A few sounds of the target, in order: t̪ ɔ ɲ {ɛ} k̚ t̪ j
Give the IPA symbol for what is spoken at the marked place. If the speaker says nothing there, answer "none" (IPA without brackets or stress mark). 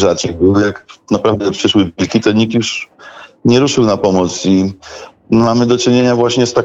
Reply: i